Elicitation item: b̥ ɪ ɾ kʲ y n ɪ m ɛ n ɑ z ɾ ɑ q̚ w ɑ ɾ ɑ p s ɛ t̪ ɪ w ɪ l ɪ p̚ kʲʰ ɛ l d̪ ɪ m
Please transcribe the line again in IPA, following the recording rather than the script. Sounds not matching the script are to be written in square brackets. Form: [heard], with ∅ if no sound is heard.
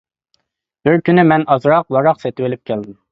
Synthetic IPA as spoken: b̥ ɪ ɾ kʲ y n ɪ m ɛ n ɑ z ɾ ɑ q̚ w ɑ ɾ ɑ [q] s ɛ t̪ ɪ w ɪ l ɪ p̚ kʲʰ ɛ l d̪ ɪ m